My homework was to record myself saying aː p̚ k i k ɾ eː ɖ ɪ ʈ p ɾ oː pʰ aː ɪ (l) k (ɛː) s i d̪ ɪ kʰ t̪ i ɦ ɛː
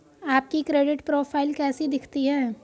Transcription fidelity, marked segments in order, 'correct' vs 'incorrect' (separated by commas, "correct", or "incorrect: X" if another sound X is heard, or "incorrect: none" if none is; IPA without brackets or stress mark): correct, correct